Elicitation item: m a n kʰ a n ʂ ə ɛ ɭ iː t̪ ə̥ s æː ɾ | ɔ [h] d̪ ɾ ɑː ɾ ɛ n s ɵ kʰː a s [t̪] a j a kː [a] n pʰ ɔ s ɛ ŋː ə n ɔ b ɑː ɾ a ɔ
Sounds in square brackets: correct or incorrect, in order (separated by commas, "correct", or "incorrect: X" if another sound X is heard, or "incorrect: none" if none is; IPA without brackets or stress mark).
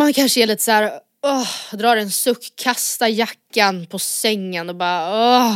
correct, correct, correct